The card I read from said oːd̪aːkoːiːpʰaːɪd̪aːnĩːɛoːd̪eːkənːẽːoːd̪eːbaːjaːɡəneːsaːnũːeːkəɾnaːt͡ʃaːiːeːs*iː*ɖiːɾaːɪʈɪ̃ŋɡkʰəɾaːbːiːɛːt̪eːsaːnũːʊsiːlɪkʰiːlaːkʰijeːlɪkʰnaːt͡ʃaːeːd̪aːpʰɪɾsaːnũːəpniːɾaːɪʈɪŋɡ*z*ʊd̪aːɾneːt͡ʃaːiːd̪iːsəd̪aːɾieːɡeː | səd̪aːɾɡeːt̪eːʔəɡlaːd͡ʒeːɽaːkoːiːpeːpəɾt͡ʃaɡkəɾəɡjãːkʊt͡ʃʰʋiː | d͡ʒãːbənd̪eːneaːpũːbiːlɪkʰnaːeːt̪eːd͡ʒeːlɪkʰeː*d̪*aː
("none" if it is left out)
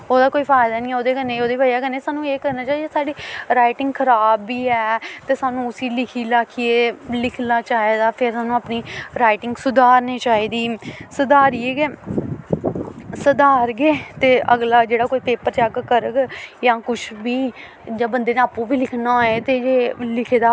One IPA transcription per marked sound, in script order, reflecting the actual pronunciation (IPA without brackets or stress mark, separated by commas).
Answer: aː, s, d̪